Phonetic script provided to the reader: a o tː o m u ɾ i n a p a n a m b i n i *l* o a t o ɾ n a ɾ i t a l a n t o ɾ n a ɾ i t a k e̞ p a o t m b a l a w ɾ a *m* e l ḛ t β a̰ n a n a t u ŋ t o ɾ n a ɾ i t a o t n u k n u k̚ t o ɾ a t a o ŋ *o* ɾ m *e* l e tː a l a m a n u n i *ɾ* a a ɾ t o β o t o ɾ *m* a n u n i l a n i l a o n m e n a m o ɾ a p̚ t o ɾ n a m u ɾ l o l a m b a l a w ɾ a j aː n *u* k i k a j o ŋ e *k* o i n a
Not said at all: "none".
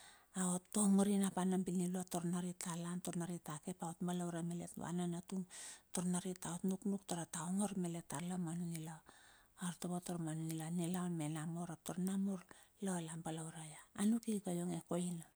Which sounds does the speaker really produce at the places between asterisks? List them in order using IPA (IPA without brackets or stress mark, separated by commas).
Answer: l, m, o, e, l, m, u, k